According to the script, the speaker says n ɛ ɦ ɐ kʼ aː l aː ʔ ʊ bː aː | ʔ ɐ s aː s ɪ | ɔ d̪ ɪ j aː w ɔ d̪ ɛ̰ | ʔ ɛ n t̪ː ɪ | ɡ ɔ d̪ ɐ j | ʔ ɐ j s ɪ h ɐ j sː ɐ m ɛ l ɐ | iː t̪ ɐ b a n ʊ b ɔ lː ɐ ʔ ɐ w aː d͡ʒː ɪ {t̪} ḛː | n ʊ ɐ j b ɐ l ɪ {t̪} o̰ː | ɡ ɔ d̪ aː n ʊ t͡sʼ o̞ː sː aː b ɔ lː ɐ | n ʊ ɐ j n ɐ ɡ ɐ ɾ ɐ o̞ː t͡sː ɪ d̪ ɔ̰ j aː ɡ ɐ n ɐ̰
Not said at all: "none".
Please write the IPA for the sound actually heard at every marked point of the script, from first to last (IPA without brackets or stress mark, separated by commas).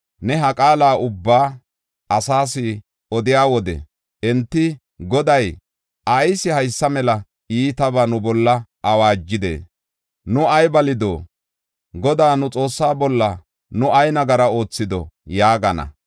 d̪, d̪